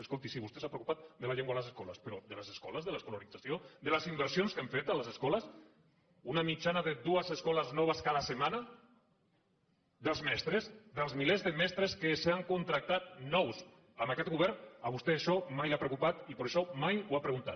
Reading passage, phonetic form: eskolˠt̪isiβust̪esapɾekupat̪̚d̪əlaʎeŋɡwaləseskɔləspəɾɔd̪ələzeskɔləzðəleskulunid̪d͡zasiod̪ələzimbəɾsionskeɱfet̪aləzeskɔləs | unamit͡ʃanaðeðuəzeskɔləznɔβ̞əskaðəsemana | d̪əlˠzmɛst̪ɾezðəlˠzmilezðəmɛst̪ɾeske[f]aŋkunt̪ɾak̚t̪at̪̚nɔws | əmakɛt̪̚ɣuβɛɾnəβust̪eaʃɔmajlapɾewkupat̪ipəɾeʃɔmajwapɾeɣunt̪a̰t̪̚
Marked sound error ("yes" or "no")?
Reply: yes